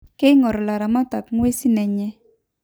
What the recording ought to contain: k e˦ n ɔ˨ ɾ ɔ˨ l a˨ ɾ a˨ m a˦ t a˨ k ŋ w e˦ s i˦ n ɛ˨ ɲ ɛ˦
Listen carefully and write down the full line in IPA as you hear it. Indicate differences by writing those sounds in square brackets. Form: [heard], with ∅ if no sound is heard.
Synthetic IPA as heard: k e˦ [ŋ] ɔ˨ ɾ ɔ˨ l a˨ ɾ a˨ m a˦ t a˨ k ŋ w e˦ s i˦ n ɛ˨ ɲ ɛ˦